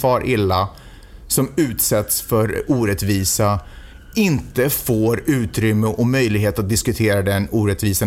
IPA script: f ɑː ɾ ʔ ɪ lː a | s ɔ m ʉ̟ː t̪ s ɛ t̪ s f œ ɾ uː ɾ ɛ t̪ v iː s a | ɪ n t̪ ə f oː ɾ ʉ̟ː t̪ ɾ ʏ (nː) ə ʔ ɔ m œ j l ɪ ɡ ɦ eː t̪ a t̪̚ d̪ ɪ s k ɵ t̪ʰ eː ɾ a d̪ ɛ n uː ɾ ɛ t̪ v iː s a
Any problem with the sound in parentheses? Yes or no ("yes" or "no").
yes